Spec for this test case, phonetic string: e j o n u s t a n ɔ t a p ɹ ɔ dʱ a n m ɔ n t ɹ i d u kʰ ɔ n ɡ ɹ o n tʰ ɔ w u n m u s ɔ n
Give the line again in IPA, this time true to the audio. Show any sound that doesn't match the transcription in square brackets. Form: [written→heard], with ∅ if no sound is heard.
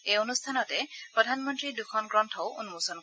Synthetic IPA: e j o n u s [t→tʰ] a n ɔ t [a→ɛ] p ɹ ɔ dʱ a n m ɔ n t ɹ i d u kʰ ɔ n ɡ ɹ [o→ɔ] n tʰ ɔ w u n m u s ɔ n